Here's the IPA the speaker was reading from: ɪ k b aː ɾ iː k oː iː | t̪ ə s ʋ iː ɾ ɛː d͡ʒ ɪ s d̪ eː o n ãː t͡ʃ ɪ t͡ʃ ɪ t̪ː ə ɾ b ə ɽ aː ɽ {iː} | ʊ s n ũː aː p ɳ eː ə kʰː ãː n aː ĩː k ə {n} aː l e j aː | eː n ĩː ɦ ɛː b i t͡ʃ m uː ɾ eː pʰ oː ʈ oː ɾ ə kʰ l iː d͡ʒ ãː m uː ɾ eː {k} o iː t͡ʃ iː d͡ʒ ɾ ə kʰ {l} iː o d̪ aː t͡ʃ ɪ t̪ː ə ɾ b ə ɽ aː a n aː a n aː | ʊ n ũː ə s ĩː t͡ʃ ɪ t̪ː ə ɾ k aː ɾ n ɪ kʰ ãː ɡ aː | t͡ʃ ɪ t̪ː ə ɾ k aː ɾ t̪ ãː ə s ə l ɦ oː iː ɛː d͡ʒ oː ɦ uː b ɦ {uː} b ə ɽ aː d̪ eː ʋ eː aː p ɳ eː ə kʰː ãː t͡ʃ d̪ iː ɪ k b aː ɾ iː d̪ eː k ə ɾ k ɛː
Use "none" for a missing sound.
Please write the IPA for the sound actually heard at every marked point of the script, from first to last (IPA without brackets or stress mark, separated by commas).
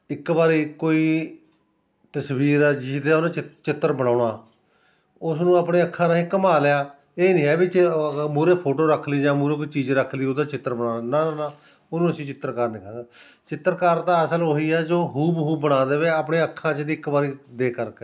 aː, m, k, l, uː